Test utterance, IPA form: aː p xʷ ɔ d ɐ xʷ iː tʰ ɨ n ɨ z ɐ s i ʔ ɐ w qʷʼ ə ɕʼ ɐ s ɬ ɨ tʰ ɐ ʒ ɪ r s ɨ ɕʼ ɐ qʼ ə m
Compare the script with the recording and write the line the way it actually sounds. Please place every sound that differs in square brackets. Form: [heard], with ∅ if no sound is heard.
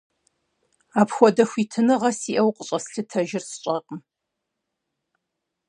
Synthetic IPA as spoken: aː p xʷ ɔ d ɐ xʷ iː tʰ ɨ n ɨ [ʁ] ɐ s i ʔ ɐ w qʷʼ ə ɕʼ ɐ s ɬ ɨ tʰ ɐ ʒ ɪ r s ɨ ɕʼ ɐ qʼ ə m